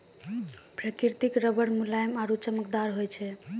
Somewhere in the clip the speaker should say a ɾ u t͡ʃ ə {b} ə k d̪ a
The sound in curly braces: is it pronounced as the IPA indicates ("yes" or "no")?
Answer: no